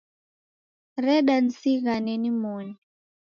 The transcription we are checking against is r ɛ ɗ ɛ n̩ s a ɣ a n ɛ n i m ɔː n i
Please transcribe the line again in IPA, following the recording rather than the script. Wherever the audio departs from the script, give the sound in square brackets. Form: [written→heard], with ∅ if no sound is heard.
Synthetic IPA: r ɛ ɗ [ɛ→a] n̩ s [a→i] ɣ a n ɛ n i m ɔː n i